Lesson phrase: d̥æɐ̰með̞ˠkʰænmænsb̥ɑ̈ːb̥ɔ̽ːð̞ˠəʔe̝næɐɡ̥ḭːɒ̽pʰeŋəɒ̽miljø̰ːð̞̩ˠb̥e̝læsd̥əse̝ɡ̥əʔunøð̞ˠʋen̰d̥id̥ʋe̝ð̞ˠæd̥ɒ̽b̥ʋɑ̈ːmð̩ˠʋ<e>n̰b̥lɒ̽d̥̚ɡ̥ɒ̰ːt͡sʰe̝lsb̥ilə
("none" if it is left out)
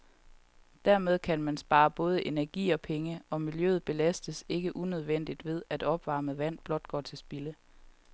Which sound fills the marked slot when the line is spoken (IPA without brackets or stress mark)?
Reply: æ